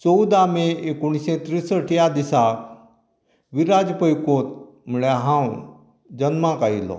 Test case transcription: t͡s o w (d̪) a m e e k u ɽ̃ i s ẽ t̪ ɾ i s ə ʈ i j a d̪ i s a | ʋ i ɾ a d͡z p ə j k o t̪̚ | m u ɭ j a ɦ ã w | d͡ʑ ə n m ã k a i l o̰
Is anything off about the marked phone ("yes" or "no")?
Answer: no